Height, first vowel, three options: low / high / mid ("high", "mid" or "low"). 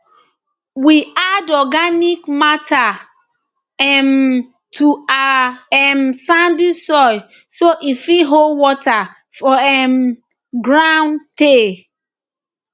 high